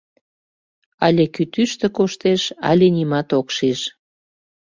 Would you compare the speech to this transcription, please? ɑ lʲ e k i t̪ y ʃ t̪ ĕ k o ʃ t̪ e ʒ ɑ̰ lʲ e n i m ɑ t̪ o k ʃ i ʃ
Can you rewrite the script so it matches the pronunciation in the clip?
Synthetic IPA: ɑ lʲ e k y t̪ y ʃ t̪ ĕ k o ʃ t̪ e ʃ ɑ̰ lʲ e n i m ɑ t̪ o k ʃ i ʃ

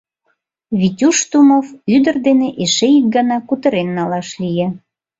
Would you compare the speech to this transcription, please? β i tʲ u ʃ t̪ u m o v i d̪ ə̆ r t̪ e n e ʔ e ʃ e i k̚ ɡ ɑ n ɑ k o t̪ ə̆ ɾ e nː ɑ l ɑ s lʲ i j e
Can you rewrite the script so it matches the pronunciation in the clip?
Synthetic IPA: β i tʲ u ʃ t̪ u m o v y d̪ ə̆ r d̪ e n e ʔ e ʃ e i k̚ ɡ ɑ n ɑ k u t̪ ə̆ ɾ e nː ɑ l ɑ ʃ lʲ i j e

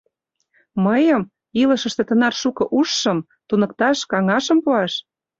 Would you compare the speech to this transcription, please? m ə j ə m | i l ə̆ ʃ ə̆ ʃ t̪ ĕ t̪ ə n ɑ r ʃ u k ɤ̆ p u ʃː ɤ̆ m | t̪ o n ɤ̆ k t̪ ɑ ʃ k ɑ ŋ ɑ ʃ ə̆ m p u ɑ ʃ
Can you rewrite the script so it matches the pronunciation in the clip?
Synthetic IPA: m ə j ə m | i l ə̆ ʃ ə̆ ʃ t̪ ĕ t̪ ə n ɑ r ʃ u k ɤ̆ ʔ u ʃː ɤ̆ m | t̪ u n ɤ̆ k t̪ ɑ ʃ k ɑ ŋ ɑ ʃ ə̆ m p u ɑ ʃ

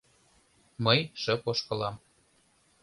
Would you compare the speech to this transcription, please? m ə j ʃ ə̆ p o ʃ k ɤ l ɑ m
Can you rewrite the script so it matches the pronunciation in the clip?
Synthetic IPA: m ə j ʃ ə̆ p o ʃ k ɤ l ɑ m

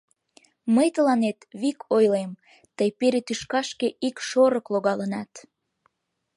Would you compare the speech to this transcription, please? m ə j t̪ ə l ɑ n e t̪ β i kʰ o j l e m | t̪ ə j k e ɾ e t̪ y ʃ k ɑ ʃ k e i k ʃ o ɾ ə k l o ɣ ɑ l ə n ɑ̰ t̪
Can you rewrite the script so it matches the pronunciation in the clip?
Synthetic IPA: m ə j t̪ ə l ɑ n e t̪ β i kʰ o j l e m | t̪ ə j p e ɾ e t̪ y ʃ k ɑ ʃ k e i k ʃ o ɾ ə k l o ɣ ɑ l ə n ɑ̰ t̪

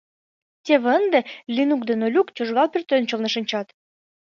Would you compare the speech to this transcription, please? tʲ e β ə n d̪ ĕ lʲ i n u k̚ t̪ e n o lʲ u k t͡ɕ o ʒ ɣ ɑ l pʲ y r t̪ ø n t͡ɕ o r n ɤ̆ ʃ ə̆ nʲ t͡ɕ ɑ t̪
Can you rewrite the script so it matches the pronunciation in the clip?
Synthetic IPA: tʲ e β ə n d̪ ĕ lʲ i n u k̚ d̪ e n o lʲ u k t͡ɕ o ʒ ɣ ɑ l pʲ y r t̪ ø n t͡ɕ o l n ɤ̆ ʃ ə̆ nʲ t͡ɕ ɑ t̪

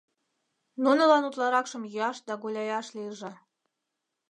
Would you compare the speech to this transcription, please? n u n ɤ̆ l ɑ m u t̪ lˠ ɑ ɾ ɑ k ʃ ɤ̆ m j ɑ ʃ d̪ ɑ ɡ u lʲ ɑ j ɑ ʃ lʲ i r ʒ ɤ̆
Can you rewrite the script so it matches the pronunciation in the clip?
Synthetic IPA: n u n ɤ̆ l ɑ n u t̪ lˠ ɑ ɾ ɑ k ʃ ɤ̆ m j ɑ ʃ d̪ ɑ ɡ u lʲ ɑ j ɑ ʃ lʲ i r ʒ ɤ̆

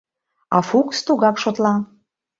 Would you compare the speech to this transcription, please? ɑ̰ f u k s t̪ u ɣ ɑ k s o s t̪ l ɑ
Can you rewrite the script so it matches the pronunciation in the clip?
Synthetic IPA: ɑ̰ f u k s t̪ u ɣ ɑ k ʃ o t̪ l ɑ

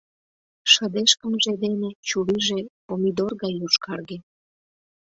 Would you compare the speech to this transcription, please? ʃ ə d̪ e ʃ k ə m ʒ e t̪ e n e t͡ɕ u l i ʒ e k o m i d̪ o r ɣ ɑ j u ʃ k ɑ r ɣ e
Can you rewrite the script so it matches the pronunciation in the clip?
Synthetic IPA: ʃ ə d̪ e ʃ k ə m ʒ e d̪ e n e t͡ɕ u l i ʒ e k o m i d̪ o r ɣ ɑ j u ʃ k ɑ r ɣ e

